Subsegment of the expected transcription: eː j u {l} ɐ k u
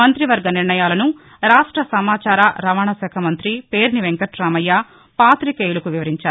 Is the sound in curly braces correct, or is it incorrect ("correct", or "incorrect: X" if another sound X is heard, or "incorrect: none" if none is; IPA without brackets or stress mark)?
correct